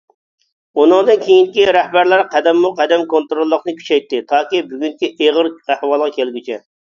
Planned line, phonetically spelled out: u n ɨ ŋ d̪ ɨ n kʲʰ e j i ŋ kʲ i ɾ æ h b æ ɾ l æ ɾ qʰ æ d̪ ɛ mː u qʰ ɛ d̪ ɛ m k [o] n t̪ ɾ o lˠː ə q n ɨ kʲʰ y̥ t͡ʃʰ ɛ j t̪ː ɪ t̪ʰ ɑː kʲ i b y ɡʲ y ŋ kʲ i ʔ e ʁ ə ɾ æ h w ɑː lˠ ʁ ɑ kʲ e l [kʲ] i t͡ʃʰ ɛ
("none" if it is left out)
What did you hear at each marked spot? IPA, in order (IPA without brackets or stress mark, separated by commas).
o, ɡʲ